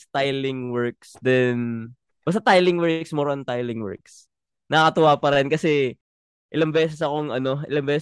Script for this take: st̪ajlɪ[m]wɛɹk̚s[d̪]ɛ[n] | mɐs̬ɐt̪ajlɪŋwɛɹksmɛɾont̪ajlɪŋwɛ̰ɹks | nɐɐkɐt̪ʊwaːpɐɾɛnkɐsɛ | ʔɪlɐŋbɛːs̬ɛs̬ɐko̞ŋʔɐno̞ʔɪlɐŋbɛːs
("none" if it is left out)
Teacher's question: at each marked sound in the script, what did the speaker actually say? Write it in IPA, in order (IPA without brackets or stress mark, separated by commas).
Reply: ŋ, d̪, n